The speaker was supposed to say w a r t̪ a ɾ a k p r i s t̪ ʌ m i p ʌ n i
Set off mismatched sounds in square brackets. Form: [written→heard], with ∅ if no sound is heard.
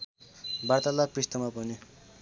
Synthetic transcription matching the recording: [w→b] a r t̪ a [ɾ→l] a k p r i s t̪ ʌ m [i→a] p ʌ n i